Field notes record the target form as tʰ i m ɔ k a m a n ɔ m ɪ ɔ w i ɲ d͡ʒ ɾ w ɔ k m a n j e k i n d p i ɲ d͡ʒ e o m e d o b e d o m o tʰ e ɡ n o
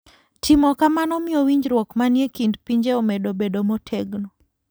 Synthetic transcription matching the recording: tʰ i m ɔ k a m a n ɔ m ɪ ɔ w i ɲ d͡ʒ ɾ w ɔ k m a n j e k i n d p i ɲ d͡ʒ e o m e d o b e d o m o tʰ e ɡ n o